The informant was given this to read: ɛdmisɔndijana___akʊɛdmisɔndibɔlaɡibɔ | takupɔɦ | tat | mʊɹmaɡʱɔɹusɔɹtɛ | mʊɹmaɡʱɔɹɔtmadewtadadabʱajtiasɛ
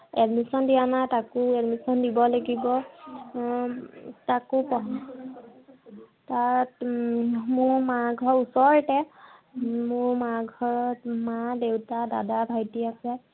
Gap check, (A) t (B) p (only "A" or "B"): A